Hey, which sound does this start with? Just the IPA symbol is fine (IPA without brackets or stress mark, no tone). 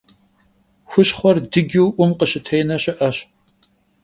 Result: xʷ